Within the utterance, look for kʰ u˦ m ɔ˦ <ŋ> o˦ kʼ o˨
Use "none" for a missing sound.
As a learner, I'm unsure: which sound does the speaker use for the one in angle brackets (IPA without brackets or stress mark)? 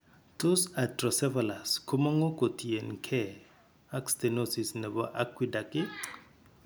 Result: ŋ